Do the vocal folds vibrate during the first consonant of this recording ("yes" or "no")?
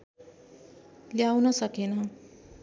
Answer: yes